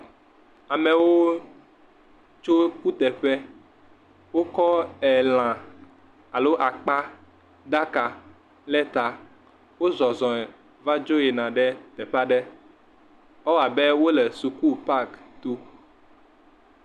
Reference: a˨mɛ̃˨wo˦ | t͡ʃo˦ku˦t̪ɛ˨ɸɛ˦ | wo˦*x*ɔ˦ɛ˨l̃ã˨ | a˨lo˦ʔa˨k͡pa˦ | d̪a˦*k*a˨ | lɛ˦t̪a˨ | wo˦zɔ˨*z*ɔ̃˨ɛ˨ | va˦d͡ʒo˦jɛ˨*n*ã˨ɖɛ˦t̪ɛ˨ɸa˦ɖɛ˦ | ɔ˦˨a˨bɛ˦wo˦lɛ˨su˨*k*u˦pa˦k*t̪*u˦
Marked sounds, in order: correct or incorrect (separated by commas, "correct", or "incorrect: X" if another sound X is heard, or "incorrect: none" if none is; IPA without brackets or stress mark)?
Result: incorrect: k, correct, correct, correct, correct, correct